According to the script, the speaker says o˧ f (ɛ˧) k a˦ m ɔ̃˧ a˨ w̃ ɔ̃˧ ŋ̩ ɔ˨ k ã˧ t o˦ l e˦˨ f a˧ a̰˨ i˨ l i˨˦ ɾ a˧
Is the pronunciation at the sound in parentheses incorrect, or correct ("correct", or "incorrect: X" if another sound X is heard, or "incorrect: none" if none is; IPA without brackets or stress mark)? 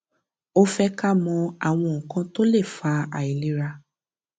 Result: correct